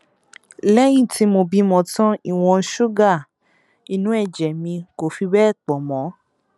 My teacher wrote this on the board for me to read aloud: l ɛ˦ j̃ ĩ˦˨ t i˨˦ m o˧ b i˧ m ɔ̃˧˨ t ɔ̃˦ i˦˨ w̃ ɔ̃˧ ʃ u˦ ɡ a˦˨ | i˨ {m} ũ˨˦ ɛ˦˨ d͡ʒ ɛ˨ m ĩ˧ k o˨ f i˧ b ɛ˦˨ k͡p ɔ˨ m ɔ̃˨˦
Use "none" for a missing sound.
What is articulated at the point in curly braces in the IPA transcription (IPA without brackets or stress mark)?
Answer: n